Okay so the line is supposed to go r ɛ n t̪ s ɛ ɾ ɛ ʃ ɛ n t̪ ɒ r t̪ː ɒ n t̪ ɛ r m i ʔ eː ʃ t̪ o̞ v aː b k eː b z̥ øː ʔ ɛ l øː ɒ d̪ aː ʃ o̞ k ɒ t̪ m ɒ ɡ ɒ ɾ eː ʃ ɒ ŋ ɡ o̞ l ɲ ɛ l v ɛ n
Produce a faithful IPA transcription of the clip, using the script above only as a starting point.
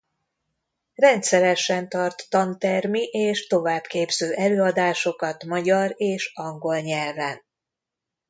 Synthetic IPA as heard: r ɛ n t̪ s ɛ ɾ ɛ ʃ ɛ n t̪ ɒ r t̪ː ɒ n t̪ ɛ r m i ʔ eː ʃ t̪ o̞ v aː b k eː b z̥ øː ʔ ɛ l øː ɒ d̪ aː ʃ o̞ k ɒ t̪ m ɒ ɟ ɒ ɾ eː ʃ ɒ ŋ ɡ o̞ l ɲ ɛ l v ɛ n